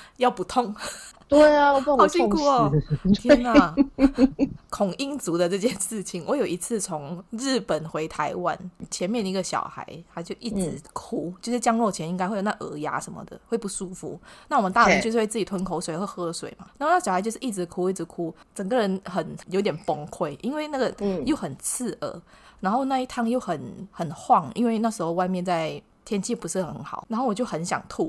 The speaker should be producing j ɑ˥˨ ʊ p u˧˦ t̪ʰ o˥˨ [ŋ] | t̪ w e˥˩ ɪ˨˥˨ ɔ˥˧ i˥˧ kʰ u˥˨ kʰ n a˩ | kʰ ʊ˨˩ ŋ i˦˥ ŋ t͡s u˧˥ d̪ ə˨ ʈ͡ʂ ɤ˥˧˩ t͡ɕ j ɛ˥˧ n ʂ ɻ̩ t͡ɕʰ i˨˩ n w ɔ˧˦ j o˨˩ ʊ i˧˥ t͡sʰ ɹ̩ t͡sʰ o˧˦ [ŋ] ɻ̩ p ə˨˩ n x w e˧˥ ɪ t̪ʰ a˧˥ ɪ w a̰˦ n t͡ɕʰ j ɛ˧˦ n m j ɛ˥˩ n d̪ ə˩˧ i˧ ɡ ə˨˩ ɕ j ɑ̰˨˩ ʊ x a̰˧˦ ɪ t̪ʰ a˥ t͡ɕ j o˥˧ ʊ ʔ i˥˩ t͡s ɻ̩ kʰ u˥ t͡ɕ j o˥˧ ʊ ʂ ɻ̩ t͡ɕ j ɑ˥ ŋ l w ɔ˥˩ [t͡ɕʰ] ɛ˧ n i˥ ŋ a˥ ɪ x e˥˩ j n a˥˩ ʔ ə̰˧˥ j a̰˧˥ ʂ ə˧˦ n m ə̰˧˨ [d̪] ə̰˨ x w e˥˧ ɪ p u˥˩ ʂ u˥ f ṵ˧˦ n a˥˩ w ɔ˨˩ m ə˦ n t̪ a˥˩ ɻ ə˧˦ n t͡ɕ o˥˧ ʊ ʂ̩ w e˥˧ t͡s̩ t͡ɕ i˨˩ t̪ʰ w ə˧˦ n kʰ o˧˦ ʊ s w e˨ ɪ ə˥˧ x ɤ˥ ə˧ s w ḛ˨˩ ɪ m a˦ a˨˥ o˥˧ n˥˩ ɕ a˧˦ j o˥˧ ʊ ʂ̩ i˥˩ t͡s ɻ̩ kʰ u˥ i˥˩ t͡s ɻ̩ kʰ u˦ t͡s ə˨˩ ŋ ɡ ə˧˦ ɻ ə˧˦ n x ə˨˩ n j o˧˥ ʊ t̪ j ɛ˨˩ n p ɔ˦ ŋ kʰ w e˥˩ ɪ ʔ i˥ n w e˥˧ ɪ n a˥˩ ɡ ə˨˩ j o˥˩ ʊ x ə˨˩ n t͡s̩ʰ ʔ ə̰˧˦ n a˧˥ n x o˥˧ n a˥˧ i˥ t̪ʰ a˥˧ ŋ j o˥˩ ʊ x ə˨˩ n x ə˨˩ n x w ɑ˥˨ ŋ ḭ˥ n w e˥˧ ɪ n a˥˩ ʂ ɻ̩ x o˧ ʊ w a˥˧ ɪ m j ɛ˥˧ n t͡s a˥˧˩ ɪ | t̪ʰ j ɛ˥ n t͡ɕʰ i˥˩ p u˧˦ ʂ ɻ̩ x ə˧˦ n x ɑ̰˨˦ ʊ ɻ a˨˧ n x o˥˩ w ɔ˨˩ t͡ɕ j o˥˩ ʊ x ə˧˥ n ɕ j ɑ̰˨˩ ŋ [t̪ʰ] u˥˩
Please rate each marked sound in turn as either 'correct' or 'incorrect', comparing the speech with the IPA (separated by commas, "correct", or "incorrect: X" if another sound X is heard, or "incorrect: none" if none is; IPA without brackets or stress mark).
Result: correct, correct, correct, correct, correct